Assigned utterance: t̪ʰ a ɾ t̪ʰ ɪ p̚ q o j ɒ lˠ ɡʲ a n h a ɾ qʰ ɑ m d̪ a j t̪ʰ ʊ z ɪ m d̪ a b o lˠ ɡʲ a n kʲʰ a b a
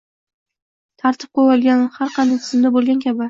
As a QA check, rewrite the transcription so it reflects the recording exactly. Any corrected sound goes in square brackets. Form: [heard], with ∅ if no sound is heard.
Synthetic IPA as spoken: t̪ʰ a ɾ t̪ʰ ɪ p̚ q o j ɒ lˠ ɡʲ a n h a ɾ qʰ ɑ [n] d̪ a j t̪ʰ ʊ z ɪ m d̪ a b o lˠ ɡʲ a n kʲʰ a b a